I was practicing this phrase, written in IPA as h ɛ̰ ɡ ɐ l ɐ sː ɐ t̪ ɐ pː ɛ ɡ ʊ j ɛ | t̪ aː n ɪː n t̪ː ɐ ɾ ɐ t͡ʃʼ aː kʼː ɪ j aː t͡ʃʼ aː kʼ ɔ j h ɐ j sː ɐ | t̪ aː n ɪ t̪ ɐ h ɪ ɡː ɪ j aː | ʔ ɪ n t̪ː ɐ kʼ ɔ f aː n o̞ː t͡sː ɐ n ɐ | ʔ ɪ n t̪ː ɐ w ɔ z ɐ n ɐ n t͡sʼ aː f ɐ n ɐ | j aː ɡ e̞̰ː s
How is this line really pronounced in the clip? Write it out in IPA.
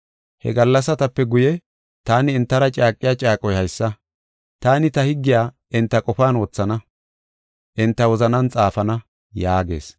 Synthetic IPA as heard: h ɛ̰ ɡ ɐ lː ɐ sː ɐ t̪ ɐ pː ɛ ɡ ʊ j ɛ | t̪ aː n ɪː n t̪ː ɐ ɾ ɐ t͡ʃʼ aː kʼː ɪ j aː t͡ʃʼ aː kʼ ɔ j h ɐ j sː ɐ | t̪ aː n ɪ t̪ ɐ h ɪ ɡː ɪ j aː | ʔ ɪ n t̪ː ɐ kʼ ɔ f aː n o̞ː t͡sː ɐ n ɐ | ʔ ɪ n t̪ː ɐ w ɔ z ɐ n ɐ n t͡sʼ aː f ɐ n ɐ | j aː ɡ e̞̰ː s

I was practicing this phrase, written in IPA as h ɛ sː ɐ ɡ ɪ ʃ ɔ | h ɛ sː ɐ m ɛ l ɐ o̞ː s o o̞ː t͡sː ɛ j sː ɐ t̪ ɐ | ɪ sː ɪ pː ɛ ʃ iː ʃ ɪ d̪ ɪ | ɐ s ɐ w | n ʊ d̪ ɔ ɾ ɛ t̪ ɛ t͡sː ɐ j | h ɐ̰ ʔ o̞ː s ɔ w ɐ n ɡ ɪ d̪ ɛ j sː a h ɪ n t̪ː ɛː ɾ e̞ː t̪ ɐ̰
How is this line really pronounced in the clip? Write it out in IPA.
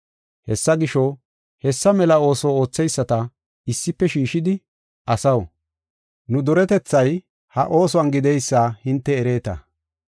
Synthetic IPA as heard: h ɛ sː ɐ ɡ ɪ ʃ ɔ | h ɛ sː ɐ m ɛ l ɐ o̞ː s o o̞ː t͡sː ɛ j sː ɐ t̪ ɐ | ɪ sː ɪ pː ɛ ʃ iː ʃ ɪ d̪ ɪ | ɐ s ɐ w | n ʊ d̪ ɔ ɾ ɛ t̪ ɛ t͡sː ɐ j | h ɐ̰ ʔ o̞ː s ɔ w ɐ n ɡ ɪ d̪ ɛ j sː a h ɪ n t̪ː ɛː ɾ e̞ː t̪ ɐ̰

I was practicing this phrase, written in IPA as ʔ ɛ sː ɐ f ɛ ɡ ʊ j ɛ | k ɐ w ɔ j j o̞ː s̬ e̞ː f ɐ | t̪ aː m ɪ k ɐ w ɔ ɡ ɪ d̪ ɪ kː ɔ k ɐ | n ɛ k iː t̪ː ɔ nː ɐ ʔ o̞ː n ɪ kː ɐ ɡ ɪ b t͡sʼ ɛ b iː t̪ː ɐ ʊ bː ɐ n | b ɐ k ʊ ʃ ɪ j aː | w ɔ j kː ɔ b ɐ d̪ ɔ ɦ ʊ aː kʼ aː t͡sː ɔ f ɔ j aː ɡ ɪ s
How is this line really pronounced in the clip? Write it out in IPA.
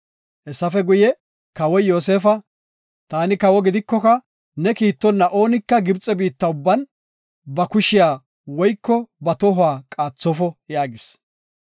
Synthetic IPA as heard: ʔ ɛ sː ɐ f ɛ ɡ ʊ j ɛ | k ɐ w ɔ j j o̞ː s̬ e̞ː f ɐ | t̪ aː n ɪ k ɐ w ɔ ɡ ɪ d̪ ɪ kː ɔ k ɐ | n ɛ k iː t̪ː ɔ nː ɐ ʔ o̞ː n ɪ kː ɐ ɡ ɪ b t͡sʼ ɛ b iː t̪ː ɐ ʊ bː ɐ n | b ɐ k ʊ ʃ ɪ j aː | w ɔ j kː ɔ b ɐ t̪ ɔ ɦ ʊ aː kʼ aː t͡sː ɔ f ɔ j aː ɡ ɪ s

